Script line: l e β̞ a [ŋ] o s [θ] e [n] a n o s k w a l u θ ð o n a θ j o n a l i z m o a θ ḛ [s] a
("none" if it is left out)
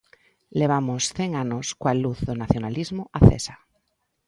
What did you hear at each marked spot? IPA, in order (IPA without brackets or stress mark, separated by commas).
m, θ, ŋ, s